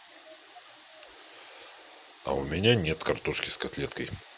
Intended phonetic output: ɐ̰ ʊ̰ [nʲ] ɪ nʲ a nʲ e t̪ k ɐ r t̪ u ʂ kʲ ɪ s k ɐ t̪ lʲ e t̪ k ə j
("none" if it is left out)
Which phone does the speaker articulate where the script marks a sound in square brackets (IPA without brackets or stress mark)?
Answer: mʲ